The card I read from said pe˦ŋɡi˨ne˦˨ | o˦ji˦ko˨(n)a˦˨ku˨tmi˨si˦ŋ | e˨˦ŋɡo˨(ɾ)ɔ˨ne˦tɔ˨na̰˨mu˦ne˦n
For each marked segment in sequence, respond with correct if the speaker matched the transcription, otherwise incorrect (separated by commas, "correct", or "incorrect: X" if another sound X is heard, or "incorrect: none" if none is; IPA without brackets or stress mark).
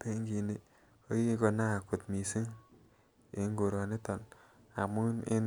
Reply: correct, correct